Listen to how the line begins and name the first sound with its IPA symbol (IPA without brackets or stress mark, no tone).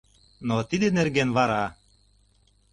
n